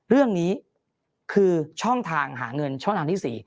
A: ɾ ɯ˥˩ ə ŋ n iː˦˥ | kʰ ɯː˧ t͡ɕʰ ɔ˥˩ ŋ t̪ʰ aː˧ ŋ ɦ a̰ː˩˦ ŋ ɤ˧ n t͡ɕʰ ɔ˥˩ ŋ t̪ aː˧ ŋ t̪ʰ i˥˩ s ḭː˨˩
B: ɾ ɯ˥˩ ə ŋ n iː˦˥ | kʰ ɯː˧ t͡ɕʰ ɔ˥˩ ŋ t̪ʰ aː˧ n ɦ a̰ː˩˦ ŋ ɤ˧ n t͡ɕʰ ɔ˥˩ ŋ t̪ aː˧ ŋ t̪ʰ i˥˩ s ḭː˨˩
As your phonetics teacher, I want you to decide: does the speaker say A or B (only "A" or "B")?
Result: A